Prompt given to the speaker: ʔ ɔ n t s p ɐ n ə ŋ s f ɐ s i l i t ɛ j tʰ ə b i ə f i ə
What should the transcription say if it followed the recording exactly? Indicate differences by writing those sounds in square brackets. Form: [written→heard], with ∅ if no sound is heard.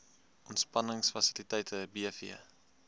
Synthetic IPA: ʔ ɔ n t s p ɐ n ə ŋ s f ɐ s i l i t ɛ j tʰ ə b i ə f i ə